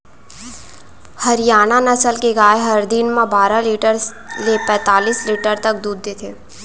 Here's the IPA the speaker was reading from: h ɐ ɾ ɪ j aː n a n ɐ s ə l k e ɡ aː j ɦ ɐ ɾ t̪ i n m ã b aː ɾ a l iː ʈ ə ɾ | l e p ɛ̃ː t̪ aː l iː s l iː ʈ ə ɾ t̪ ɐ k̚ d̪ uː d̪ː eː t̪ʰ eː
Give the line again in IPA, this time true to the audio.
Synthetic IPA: h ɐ ɾ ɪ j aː n a n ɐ s ə l k e ɡ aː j ɦ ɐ ɾ d̪ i n m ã b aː ɾ a l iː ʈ ə ɾ | l e p ɛ̃ː t̪ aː l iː s l iː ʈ ə ɾ t̪ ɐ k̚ d̪ uː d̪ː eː t̪ʰ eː